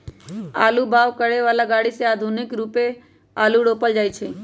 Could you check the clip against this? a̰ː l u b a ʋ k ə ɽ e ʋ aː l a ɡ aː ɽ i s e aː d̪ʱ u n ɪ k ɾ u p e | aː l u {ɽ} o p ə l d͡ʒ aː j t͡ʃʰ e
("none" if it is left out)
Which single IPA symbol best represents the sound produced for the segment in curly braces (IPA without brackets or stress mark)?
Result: ɽ